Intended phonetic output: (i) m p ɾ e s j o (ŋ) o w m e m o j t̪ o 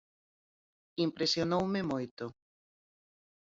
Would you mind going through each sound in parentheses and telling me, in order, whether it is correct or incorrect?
correct, incorrect: n

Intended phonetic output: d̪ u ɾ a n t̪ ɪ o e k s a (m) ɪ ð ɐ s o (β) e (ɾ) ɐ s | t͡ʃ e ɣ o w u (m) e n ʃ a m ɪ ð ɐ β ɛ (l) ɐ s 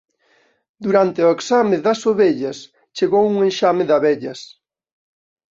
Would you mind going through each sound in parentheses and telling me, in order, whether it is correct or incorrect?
correct, correct, incorrect: ʎ, incorrect: ŋ, incorrect: ʎ

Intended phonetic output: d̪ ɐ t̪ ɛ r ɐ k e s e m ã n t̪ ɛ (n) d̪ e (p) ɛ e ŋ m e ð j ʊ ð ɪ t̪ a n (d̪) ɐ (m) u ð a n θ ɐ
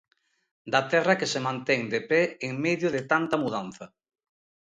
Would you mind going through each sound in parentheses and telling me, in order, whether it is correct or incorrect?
incorrect: ŋ, correct, incorrect: t̪, correct

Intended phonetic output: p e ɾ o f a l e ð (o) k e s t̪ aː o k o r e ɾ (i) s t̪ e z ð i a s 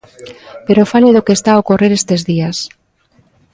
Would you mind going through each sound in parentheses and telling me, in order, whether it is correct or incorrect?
correct, incorrect: e

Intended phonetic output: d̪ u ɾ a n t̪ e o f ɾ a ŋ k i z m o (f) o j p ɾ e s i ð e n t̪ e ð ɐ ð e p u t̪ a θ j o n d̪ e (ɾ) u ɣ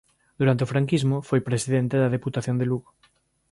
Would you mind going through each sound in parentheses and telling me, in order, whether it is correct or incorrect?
correct, incorrect: l

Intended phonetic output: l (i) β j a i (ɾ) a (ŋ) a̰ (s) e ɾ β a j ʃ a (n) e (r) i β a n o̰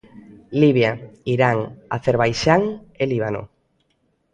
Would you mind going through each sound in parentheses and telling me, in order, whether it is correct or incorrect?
correct, correct, correct, incorrect: θ, incorrect: ŋ, incorrect: l

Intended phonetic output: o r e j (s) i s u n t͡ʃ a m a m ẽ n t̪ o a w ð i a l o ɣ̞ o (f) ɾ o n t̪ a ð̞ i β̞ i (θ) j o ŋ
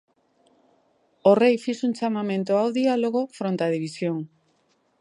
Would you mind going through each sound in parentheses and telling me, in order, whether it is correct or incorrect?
incorrect: f, correct, incorrect: s

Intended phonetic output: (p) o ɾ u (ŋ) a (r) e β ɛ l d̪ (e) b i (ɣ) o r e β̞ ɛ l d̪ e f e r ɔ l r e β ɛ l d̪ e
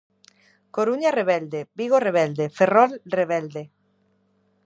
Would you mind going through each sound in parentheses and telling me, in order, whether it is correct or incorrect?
incorrect: k, incorrect: ɲ, correct, correct, correct

